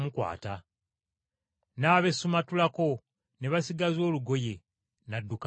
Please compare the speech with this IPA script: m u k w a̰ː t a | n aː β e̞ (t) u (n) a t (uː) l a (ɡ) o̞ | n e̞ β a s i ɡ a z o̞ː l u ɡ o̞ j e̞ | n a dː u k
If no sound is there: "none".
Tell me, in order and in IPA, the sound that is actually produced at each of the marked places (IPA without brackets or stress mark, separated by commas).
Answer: s, m, u, k